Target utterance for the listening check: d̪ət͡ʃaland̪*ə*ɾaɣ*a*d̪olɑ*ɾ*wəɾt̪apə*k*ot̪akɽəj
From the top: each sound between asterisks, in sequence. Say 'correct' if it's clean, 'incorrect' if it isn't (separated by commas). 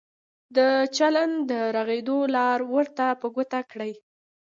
correct, incorrect, correct, incorrect